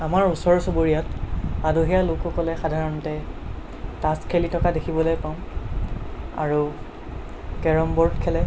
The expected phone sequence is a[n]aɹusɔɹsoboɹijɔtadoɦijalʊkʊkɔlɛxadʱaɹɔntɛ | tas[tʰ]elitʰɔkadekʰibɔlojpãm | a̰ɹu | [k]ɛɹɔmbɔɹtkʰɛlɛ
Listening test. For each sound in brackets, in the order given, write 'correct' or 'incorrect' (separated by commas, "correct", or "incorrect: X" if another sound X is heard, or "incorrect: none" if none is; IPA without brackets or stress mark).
incorrect: m, incorrect: kʰ, correct